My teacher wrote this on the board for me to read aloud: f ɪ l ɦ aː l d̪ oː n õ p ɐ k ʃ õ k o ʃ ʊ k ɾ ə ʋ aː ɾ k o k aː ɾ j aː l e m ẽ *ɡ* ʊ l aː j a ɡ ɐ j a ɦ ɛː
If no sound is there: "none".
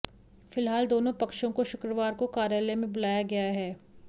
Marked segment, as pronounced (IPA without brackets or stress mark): b